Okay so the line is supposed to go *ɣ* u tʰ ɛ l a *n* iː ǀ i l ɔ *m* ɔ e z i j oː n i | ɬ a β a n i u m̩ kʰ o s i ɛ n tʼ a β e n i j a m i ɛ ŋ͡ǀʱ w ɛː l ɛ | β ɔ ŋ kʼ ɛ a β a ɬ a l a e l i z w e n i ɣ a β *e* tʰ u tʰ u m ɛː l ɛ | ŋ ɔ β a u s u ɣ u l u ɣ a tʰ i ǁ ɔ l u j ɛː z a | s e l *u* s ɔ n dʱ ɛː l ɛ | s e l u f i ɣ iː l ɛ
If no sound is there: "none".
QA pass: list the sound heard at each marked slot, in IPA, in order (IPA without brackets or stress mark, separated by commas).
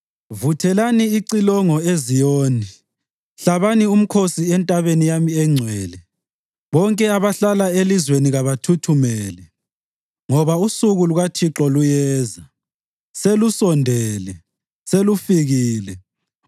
v, n, ŋ, a, u